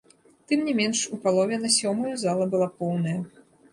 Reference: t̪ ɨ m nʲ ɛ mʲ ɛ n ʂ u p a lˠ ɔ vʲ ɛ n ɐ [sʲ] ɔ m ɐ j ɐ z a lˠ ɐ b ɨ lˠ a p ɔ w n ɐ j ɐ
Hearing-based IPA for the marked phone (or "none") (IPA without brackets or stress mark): sʲ